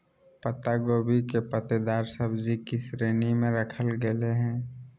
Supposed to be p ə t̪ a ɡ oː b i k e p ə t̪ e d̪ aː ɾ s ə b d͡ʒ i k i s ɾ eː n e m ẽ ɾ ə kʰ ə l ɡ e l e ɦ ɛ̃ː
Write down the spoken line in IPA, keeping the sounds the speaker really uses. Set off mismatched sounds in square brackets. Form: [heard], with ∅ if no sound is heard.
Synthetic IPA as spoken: p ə t̪ a ɡ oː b i k e p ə t̪ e d̪ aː ɾ s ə b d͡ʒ i k i s ɾ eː n [i] m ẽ ɾ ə kʰ ə l ɡ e l e ɦ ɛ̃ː